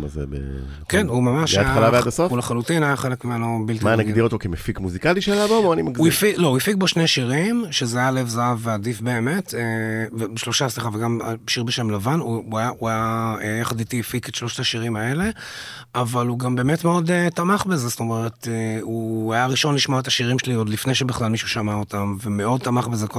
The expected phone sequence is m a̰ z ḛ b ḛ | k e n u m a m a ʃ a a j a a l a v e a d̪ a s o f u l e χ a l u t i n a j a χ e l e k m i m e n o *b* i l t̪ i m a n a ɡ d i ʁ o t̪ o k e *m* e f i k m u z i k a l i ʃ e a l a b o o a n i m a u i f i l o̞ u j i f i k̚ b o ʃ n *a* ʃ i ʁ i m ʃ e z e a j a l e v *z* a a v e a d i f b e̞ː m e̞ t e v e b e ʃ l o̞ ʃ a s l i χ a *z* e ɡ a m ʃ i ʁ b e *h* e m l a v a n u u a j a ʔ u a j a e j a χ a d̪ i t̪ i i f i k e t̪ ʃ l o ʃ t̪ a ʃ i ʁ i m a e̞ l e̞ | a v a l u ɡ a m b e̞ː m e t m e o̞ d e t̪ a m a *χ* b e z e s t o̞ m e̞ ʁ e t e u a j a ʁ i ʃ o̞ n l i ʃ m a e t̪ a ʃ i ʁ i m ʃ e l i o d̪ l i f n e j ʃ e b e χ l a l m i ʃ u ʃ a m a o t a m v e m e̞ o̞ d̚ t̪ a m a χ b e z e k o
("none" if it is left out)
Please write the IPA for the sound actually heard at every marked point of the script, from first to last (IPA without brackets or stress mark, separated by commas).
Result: b, m, e, z, v, ʃ, χ